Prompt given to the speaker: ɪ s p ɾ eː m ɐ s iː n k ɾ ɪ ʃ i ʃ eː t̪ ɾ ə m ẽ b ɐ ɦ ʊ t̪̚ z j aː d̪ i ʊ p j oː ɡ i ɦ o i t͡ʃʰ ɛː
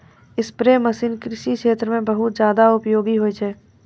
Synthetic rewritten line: ɪ s p ɾ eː m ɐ s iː n k ɾ ɪ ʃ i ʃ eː t̪ ɾ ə m ẽ b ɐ ɦ ʊ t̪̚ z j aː d̪ a ʊ p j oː ɡ i ɦ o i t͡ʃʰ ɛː